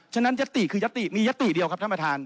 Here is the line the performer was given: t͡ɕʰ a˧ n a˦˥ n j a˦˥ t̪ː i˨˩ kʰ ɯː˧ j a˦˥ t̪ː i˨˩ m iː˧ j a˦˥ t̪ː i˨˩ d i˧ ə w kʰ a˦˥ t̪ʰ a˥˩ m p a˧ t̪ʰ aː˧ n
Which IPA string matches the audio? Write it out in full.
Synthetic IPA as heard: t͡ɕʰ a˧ n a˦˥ n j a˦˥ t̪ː i˨˩ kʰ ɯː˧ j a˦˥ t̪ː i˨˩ m iː˧ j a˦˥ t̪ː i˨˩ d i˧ ə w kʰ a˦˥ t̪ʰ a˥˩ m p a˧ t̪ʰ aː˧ n